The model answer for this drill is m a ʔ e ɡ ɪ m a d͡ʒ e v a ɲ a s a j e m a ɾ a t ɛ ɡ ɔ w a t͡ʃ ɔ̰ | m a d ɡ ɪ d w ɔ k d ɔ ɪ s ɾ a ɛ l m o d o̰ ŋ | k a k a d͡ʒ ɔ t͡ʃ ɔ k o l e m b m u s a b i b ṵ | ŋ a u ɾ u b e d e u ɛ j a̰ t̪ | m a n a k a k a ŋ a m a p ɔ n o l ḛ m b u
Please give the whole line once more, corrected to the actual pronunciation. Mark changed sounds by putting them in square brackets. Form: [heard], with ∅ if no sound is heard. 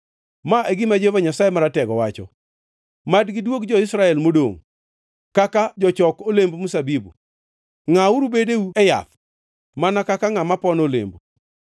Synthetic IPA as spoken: m a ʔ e ɡ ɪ m a d͡ʒ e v a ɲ a s a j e m a ɾ a t ɛ ɡ ɔ w a t͡ʃ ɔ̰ | m a d ɡ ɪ d w [o] k [d͡ʒ] ɔ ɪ s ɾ a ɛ l m o d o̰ ŋ | k a k a d͡ʒ ɔ t͡ʃ ɔ k o l e m b m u s a b i b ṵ | ŋ a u ɾ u b e d e u ɛ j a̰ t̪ | m a n a k a k a ŋ a m a p ɔ n o l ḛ m b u